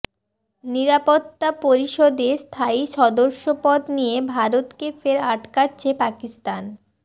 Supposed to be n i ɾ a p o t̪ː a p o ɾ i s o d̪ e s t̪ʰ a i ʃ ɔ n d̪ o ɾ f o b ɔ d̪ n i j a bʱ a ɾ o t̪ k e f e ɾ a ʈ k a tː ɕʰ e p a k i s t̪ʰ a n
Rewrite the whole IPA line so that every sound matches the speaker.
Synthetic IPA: n i ɾ a p o t̪ː a p o ɾ i ʃ o d̪ e s t̪ʰ a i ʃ ɔ d̪ o ɾ ʃ o p ɔ d̪ n i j e bʱ a ɾ o t̪ k e f e ɾ a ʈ k a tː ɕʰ e p a k i s t̪ a n